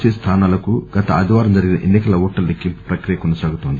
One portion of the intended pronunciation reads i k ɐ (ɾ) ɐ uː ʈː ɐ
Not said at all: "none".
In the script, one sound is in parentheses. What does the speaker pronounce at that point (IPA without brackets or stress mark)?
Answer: l